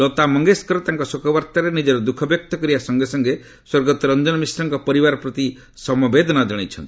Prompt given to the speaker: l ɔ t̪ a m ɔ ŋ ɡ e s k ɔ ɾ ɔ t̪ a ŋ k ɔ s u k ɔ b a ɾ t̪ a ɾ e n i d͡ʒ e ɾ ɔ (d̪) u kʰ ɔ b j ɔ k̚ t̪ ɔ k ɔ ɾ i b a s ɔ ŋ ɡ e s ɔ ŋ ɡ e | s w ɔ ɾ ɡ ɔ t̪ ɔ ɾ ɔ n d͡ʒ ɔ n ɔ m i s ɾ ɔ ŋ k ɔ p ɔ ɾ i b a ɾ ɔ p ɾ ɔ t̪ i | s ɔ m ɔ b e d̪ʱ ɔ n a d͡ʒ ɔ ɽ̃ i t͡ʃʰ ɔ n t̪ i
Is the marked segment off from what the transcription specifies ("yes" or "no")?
no